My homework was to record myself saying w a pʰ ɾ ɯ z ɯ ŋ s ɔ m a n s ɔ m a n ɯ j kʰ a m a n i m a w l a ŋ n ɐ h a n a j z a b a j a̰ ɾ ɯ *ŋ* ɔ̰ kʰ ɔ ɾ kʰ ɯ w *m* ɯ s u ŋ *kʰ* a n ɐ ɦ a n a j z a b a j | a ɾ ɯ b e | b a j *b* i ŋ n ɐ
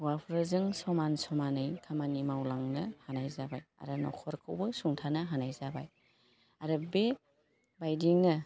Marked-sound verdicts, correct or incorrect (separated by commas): incorrect, incorrect, incorrect, incorrect